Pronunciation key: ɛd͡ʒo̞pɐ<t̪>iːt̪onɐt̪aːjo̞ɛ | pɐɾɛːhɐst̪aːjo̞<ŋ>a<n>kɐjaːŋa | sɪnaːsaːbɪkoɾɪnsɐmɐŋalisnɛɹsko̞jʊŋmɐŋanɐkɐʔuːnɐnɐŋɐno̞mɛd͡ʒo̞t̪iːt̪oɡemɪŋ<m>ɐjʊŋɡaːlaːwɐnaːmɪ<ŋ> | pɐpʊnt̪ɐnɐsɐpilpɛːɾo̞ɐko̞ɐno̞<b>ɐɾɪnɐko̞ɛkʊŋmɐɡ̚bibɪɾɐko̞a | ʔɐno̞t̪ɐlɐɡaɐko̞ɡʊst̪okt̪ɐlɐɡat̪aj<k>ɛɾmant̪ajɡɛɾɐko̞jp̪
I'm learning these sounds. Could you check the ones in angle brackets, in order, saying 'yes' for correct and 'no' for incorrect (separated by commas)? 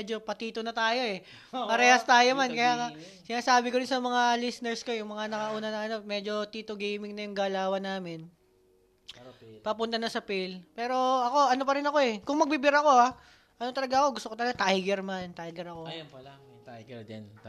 yes, no, yes, no, no, no, no